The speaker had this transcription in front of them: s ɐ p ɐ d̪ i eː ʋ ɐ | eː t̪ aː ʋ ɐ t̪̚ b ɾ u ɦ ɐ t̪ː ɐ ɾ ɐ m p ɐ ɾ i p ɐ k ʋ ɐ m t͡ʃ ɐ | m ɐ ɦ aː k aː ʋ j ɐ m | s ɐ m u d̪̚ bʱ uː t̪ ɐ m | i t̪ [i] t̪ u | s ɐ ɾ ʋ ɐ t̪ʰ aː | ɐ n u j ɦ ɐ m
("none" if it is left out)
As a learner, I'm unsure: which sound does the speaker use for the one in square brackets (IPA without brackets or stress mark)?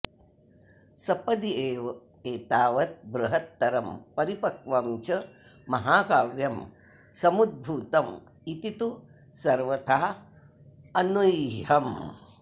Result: i